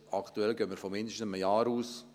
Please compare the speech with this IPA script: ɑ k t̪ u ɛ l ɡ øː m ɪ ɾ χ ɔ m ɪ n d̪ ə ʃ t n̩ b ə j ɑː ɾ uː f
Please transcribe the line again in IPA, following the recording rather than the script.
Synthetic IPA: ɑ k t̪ u ɛ l ɡ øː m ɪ ɾ f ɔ m ɪ n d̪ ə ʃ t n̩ m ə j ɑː ɾ uː s